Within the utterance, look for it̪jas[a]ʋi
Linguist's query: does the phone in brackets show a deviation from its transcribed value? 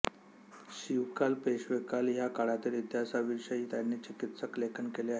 no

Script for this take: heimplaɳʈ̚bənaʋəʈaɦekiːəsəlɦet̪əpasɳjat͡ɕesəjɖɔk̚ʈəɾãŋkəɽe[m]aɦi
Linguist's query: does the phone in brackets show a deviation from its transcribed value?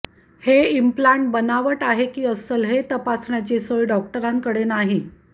yes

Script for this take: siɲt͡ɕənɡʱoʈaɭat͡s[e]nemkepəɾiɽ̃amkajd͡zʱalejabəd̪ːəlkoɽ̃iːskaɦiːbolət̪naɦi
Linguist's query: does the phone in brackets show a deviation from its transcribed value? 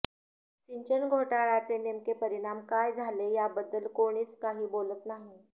no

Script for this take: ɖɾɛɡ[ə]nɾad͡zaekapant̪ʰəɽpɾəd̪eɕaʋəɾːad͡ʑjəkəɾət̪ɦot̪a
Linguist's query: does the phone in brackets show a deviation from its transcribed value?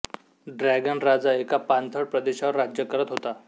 no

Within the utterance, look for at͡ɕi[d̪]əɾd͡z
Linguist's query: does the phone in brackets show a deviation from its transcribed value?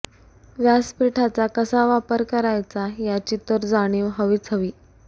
yes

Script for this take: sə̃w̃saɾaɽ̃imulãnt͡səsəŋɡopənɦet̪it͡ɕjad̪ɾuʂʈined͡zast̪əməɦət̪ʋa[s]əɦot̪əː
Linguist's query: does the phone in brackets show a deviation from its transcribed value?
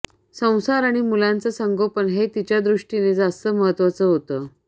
yes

